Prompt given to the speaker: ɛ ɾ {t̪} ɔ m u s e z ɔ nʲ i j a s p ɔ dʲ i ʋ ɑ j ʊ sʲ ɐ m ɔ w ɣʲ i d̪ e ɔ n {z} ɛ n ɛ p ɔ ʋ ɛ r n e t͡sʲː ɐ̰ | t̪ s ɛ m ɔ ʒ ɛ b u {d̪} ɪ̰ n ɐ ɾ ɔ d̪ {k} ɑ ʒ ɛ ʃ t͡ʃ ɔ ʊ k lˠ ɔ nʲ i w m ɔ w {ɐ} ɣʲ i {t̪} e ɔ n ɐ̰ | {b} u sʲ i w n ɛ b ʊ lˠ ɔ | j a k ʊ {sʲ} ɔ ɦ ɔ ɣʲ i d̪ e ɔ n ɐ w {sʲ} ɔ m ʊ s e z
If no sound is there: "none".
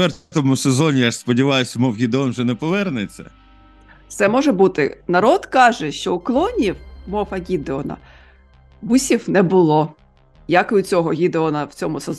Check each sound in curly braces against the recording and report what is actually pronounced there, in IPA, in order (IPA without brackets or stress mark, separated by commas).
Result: t̪, ʒ, t̪, k, ɐ, d̪, b, t͡sʲ, t͡sʲ